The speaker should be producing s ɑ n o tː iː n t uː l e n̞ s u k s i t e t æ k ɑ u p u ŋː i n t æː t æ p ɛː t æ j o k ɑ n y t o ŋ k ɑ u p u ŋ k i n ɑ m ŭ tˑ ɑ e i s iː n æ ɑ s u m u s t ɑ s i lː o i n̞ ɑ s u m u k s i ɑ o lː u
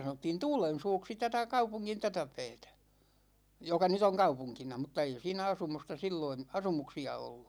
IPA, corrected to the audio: s ɑ n o tː iː n t uː l e n̞ s uː k s i t æ t æ k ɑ u p u ŋː i n t æ t æ p ɛː t æ j o k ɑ n y t o ŋ k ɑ u p u ŋ k i n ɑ m ŭ tˑ ɑ e i s iː n æ ɑ s u m u s t ɑ s i lː o i n̞ ɑ s u m u k s i ɑ o lː u